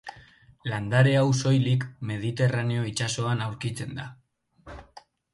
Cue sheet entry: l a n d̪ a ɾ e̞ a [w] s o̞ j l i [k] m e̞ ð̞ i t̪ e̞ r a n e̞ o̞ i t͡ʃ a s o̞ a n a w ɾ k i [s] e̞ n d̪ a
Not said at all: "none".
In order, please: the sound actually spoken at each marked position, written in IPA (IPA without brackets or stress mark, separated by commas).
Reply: w, k, t͡s